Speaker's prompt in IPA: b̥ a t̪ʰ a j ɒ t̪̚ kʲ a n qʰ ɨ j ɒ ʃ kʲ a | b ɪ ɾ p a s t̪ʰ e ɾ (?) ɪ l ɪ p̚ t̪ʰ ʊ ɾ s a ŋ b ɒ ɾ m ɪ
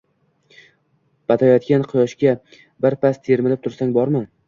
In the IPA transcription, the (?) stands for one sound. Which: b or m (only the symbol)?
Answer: m